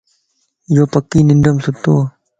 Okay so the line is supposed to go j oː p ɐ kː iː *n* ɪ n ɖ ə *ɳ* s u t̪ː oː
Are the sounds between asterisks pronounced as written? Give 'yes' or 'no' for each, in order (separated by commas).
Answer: yes, no